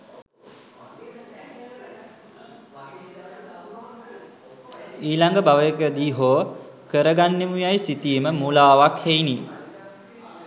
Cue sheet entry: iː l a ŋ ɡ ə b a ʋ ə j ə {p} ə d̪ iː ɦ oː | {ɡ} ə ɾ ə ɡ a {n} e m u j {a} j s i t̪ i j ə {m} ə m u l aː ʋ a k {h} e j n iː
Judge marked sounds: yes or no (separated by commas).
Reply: no, no, no, yes, yes, yes